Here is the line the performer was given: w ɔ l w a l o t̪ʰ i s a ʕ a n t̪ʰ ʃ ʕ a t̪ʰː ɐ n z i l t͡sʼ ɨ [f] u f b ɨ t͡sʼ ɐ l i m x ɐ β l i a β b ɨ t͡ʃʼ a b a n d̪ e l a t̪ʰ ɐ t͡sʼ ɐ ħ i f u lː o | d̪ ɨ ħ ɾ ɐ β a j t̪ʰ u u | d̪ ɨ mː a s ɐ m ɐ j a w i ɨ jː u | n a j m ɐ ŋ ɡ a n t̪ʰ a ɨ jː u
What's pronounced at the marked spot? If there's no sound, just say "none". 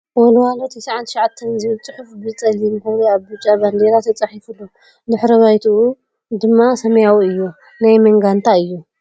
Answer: ħ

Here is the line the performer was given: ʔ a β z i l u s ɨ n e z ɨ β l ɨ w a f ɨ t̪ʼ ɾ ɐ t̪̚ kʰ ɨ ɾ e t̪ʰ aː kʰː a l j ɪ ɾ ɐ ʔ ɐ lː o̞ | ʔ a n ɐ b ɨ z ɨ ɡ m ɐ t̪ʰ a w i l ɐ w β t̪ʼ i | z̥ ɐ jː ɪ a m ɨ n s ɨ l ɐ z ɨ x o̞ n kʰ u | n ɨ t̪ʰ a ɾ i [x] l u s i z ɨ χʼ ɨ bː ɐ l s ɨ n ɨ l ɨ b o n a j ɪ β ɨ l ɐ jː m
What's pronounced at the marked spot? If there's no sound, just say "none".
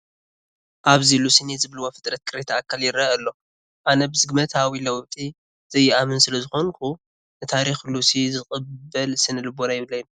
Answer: x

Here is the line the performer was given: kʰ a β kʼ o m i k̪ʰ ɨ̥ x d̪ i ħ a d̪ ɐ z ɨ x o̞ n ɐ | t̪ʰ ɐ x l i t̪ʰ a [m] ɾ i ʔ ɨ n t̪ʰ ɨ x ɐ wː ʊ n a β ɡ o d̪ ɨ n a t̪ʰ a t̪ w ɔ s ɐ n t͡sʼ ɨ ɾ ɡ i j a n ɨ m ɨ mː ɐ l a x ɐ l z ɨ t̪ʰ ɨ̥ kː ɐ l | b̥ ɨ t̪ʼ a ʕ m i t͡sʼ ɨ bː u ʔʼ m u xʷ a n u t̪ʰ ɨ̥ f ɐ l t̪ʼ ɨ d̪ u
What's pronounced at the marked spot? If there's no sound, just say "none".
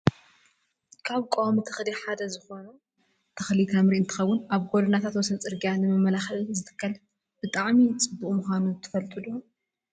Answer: m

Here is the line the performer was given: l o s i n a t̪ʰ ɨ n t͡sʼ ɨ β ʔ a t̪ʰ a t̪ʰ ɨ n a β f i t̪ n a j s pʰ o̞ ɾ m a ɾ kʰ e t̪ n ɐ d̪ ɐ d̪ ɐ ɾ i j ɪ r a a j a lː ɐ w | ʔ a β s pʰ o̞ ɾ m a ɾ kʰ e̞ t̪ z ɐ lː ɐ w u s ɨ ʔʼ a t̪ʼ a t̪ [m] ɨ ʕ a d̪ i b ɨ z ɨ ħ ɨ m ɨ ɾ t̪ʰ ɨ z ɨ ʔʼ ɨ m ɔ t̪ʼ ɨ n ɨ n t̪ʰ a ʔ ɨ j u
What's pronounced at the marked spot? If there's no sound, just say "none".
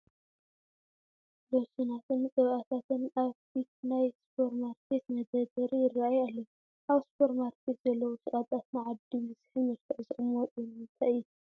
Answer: n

